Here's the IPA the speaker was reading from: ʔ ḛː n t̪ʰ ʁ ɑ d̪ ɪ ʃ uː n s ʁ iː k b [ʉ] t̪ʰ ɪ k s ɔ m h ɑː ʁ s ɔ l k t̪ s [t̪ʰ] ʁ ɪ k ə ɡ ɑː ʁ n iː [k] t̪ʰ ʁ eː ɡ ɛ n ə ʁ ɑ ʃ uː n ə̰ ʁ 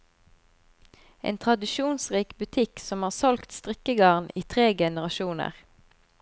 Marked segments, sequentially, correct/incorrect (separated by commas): correct, incorrect, incorrect